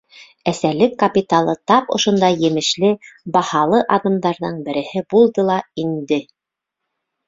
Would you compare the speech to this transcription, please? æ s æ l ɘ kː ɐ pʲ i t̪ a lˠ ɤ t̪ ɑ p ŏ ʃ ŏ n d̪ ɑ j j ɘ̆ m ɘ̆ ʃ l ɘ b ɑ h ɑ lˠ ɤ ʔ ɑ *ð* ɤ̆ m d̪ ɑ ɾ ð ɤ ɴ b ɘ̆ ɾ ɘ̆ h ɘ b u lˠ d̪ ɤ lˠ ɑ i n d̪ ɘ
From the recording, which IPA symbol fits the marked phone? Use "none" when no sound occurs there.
ð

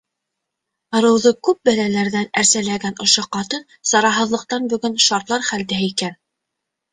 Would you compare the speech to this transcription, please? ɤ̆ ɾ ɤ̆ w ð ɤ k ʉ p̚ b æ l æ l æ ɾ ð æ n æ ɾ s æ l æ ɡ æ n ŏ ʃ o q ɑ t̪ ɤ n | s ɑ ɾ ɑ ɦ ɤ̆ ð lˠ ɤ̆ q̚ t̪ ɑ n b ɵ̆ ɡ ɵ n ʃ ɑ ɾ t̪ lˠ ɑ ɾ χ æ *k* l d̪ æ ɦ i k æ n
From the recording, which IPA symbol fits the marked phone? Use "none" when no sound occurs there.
none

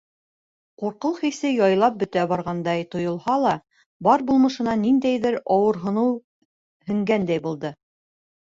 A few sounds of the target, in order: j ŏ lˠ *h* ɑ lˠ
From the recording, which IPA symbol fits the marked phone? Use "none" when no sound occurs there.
h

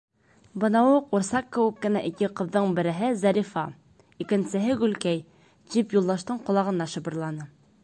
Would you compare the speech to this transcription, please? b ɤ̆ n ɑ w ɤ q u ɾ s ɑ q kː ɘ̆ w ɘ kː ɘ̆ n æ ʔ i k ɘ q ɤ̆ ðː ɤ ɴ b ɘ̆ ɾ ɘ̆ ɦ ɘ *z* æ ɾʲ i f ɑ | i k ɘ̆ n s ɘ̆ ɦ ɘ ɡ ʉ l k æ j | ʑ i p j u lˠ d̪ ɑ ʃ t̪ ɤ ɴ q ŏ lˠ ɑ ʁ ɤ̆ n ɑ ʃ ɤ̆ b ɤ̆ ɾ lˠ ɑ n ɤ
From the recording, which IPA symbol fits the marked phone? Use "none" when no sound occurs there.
z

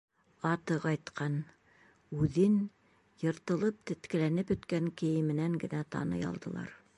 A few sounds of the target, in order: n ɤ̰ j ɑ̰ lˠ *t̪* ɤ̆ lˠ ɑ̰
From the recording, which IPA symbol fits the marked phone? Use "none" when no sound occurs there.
d̪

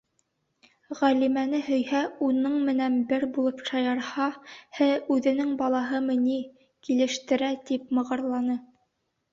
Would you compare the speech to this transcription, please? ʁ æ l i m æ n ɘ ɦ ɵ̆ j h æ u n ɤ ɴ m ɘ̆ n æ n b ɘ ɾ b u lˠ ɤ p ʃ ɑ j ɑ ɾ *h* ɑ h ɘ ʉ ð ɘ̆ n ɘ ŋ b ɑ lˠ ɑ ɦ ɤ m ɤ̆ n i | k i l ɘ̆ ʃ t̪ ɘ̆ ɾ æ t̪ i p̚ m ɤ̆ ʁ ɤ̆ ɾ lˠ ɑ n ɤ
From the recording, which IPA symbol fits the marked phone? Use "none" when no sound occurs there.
h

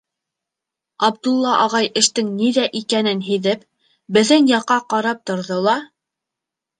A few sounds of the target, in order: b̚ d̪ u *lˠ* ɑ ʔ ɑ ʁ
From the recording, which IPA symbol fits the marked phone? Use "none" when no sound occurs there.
lˠː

